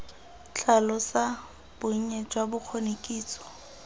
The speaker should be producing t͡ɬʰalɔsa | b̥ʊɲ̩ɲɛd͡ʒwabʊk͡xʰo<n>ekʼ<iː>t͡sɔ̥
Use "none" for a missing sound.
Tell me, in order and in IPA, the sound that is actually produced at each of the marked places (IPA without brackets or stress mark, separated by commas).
n, iː